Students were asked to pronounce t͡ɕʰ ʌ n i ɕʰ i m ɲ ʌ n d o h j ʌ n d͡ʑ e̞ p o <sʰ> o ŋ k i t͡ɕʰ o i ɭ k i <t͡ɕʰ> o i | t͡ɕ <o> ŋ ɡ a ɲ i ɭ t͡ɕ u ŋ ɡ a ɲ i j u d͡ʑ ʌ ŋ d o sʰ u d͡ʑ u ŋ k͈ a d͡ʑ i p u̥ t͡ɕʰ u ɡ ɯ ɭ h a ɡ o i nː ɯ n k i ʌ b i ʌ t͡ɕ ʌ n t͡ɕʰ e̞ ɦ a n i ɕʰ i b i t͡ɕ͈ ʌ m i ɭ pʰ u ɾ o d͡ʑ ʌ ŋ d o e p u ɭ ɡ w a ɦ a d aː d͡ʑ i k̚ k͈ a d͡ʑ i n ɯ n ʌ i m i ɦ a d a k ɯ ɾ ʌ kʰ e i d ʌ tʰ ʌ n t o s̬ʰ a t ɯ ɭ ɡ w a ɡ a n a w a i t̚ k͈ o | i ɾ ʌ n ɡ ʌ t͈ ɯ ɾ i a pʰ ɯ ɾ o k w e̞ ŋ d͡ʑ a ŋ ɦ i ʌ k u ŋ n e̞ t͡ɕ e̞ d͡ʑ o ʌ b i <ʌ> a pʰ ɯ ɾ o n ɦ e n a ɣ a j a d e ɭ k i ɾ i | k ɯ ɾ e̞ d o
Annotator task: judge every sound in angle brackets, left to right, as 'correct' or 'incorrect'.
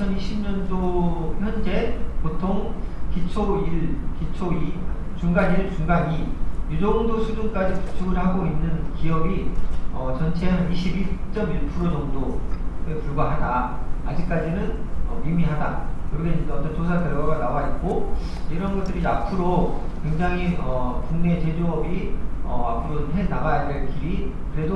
incorrect: tʰ, correct, incorrect: u, correct

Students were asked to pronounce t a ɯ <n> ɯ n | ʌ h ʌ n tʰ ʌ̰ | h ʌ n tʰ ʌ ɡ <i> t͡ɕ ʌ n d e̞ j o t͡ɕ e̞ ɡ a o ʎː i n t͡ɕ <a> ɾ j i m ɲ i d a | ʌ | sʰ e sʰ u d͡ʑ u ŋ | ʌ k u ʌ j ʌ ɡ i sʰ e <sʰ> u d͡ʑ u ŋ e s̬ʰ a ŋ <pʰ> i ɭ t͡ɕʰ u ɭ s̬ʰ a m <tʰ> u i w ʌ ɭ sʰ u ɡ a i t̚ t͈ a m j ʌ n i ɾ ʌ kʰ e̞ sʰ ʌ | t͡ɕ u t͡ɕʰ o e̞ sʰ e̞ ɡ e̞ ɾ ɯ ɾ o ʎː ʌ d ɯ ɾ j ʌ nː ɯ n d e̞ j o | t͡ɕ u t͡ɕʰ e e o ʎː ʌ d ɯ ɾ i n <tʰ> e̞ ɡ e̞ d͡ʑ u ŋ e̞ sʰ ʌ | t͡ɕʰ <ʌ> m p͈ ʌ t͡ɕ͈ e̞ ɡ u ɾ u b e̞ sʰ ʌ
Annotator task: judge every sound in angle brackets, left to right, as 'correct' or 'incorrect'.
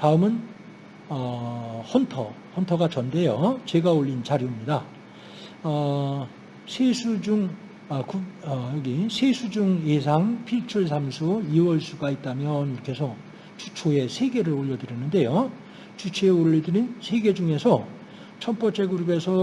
incorrect: m, incorrect: a, correct, correct, correct, incorrect: sʰ, incorrect: sʰ, correct

